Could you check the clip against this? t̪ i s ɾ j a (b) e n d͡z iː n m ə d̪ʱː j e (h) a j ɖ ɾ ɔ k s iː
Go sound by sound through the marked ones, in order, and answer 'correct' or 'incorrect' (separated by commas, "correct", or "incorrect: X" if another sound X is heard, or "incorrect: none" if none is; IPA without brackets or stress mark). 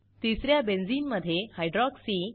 correct, correct